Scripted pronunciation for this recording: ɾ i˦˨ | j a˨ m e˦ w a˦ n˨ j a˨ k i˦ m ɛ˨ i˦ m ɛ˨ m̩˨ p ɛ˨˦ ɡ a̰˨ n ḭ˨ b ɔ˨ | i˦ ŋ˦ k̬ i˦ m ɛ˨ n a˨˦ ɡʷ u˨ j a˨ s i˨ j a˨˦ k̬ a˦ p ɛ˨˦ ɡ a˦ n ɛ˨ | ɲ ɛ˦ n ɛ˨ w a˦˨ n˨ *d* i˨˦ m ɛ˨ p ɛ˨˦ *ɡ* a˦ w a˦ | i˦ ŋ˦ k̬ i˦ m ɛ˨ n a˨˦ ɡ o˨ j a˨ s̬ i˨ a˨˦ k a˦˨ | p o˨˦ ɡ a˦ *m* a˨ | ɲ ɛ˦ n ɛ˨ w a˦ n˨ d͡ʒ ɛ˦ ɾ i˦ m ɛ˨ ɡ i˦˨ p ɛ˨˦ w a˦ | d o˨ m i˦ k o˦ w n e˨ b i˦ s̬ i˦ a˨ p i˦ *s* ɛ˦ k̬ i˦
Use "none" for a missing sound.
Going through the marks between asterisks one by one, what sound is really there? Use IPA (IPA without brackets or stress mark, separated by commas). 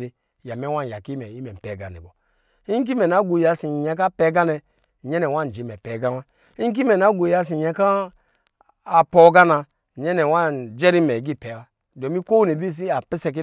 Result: d͡ʒ, ɡ, n, s